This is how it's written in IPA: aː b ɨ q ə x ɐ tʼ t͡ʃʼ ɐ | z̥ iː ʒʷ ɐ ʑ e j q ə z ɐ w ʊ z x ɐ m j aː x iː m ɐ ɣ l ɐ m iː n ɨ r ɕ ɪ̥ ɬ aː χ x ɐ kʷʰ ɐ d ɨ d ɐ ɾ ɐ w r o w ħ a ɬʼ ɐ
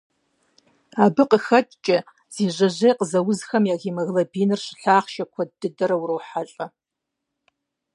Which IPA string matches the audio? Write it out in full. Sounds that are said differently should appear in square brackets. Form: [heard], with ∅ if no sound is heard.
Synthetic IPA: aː b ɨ q ə x ɐ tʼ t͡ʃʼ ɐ | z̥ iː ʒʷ ɐ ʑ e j q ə z ɐ w ʊ z x ɐ m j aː [ɣ] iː m ɐ ɣ l ɐ [b] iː n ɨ r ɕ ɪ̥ ɬ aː χ [ʃ] ɐ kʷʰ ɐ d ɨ d ɐ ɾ ɐ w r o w ħ a ɬʼ ɐ